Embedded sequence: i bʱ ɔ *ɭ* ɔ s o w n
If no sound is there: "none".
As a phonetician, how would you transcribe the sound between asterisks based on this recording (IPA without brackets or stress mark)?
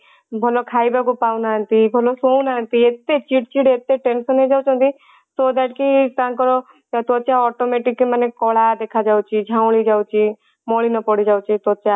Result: l